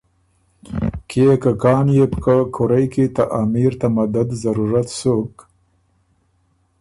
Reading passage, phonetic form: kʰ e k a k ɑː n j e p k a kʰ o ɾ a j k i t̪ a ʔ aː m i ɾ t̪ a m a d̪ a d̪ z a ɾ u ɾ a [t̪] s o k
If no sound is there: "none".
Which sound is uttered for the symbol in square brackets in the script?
t̪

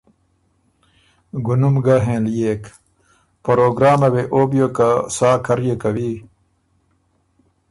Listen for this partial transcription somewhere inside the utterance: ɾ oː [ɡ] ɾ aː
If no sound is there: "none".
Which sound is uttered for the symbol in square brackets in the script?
ɡ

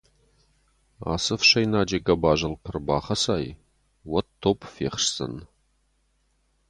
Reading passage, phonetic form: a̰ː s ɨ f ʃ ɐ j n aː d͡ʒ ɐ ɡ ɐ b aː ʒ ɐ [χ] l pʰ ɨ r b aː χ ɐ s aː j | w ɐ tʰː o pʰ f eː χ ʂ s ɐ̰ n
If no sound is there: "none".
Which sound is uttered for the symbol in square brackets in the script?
none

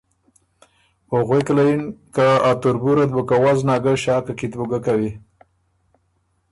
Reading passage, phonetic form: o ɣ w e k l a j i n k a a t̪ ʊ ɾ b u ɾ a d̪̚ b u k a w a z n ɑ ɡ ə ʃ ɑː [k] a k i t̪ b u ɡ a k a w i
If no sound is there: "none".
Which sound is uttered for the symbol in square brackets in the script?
k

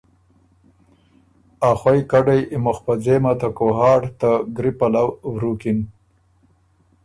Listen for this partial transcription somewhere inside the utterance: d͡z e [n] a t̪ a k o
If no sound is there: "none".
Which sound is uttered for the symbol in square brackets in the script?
m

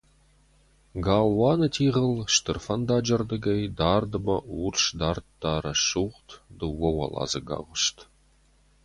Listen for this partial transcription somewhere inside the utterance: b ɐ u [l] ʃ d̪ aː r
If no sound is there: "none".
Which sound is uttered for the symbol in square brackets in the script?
r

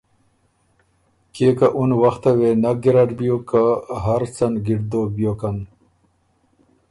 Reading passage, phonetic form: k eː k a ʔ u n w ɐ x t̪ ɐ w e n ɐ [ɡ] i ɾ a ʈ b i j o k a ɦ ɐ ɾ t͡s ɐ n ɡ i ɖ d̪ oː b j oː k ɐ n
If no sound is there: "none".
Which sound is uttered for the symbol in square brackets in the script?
ɡ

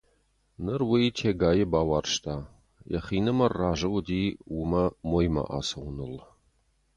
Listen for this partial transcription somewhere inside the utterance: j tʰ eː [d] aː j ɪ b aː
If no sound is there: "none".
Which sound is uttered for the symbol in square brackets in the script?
ɡ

